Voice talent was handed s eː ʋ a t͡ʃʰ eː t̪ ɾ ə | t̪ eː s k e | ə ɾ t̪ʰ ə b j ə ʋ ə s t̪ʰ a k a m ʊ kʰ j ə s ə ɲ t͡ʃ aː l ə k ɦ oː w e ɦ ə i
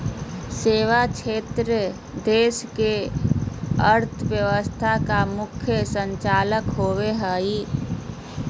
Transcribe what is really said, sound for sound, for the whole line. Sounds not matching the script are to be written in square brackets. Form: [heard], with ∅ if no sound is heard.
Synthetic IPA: s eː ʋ a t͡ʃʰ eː t̪ ɾ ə | [d̪] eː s k e | ə ɾ t̪ʰ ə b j ə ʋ ə s t̪ʰ a k a m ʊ kʰ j ə s ə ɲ t͡ʃ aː l ə k ɦ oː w e ɦ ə i

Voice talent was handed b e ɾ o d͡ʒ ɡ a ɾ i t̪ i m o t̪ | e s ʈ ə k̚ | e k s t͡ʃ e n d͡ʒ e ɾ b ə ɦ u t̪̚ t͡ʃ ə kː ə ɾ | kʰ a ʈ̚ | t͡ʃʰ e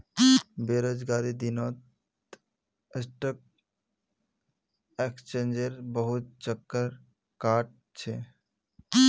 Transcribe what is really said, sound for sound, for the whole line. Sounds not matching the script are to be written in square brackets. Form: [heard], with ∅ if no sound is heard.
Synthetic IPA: b e ɾ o d͡ʒ ɡ a ɾ i [d̪] i [n] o t̪ | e s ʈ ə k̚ | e k s t͡ʃ e n d͡ʒ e ɾ b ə ɦ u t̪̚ t͡ʃ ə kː ə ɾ | [k] a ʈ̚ | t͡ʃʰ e

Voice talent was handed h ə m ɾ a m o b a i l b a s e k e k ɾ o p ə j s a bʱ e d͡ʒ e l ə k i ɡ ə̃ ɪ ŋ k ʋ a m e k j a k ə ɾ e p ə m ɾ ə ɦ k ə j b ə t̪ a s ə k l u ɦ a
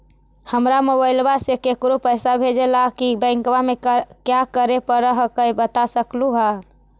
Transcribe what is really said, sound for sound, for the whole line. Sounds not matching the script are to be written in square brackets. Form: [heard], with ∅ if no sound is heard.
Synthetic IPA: h ə m ɾ a m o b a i l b a s e k e k ɾ o p ə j s a bʱ e d͡ʒ e l [a] k i [b] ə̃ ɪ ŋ k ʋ a m e k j a k ə ɾ e p ə [∅] ɾ ə ɦ k ə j b ə t̪ a s ə k l u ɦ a

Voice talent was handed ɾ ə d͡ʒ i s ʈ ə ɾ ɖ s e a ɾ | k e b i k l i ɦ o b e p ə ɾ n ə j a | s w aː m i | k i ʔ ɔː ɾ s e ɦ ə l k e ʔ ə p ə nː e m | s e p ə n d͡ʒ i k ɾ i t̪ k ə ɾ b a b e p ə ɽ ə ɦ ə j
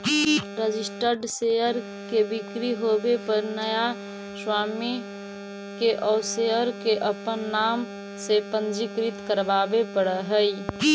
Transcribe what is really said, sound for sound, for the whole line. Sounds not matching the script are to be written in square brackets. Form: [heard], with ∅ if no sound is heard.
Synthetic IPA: ɾ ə d͡ʒ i s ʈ ə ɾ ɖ s e [ə] ɾ | k e b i k [ɾ] i ɦ o b e p ə ɾ n ə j a | s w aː m i | k [e] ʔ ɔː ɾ s e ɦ ə [ɾ] k e ʔ ə p ə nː [a] m | s e p ə n d͡ʒ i k ɾ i t̪ k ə ɾ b a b e p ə ɽ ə ɦ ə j

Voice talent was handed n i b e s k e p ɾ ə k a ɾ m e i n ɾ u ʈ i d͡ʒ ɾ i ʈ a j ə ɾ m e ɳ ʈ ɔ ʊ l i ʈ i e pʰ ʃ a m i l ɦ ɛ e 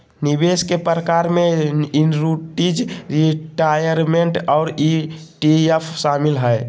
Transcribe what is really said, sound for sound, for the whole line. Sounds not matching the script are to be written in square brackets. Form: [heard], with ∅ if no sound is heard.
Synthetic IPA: n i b e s k e p ɾ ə k a ɾ m e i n ɾ u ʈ i d͡ʒ ɾ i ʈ a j ə ɾ m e ɳ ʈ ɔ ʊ [ɾ] i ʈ i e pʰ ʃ a m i l ɦ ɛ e

